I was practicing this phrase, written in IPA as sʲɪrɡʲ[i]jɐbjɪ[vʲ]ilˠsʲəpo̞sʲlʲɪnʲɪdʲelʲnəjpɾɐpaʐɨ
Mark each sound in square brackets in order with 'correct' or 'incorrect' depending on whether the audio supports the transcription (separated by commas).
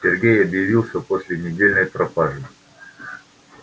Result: incorrect, correct